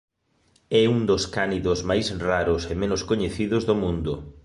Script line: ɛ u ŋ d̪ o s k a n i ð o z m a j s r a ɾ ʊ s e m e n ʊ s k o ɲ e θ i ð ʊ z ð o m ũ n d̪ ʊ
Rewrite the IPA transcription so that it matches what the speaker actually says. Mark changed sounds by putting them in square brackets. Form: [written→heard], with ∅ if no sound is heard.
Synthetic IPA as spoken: ɛ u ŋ d̪ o s k a n i ð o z m a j s r a ɾ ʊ s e m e n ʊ s k o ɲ e θ i ð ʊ z ð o m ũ n d̪ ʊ